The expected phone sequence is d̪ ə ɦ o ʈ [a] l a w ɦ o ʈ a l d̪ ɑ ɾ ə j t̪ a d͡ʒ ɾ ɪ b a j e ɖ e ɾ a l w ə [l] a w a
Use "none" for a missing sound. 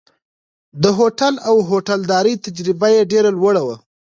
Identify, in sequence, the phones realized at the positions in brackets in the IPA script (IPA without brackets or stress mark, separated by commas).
a, ɽ